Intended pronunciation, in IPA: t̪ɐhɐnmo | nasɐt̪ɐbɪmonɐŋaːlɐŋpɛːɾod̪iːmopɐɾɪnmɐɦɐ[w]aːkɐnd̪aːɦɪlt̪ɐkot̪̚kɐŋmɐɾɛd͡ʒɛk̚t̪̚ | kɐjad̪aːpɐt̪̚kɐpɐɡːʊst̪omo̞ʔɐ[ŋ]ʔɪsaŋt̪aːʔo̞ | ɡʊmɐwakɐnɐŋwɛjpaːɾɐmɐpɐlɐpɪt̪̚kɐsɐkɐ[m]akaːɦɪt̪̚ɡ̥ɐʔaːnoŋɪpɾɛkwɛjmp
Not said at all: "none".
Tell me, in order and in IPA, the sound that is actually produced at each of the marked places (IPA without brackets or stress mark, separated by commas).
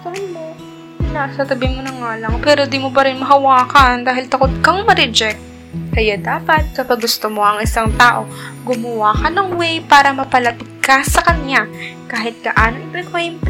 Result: w, ŋ, ɲ